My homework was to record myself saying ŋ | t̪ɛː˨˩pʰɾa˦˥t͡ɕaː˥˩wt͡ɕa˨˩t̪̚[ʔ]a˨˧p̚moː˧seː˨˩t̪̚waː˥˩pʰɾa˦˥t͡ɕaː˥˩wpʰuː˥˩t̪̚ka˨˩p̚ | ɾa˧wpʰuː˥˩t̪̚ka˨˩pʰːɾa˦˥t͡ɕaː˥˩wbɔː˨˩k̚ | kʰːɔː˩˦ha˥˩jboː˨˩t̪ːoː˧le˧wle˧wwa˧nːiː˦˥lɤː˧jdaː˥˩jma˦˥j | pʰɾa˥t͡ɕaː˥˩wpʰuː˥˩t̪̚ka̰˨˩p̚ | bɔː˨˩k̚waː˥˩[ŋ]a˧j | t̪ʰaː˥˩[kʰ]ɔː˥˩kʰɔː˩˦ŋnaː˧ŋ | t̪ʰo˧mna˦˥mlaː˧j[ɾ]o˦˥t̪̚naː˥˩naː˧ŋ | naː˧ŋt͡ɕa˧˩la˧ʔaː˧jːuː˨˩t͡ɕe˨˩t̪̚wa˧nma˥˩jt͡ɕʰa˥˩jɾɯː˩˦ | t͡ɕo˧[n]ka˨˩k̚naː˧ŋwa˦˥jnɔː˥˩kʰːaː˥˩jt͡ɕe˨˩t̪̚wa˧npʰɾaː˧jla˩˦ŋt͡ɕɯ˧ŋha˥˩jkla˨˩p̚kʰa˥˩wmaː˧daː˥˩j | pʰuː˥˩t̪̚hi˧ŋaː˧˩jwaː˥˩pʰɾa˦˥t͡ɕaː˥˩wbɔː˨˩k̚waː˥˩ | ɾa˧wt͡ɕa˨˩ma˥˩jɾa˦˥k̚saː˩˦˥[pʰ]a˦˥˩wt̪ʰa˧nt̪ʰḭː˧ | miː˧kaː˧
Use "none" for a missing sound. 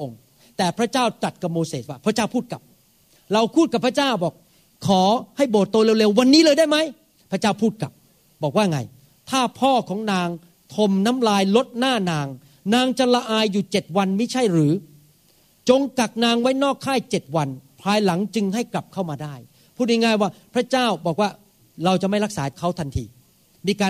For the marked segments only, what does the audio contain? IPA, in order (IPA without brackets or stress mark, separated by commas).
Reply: k, ŋ, pʰ, l, ŋ, kʰ